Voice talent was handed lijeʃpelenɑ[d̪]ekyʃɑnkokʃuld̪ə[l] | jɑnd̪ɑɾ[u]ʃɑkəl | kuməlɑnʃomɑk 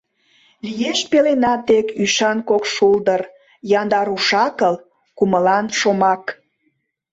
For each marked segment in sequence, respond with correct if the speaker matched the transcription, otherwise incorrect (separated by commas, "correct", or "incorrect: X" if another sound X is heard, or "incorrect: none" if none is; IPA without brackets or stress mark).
incorrect: t̪, incorrect: r, correct